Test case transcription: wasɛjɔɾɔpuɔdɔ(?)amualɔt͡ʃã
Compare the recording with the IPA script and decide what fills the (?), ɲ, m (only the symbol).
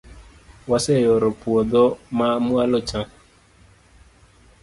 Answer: m